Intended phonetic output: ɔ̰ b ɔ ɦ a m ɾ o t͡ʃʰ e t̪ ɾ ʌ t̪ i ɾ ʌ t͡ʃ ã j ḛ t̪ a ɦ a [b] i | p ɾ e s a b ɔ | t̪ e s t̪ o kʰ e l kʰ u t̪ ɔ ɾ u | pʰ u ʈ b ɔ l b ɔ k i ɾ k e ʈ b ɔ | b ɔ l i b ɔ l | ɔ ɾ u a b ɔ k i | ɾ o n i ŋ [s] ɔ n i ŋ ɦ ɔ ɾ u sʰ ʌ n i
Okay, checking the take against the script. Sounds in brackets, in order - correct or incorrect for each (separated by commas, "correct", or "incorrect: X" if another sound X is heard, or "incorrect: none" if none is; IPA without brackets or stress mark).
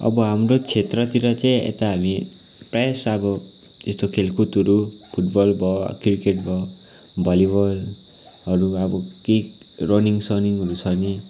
incorrect: m, correct